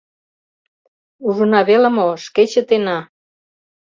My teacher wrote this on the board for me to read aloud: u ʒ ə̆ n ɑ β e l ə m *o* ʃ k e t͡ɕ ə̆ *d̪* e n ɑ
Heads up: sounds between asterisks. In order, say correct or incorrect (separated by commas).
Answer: correct, incorrect